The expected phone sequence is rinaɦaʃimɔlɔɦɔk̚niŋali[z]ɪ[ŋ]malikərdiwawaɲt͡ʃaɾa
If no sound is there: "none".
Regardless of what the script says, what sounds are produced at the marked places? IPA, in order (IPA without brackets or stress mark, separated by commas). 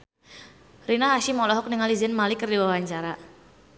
z, n